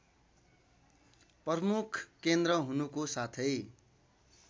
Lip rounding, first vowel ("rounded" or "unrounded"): unrounded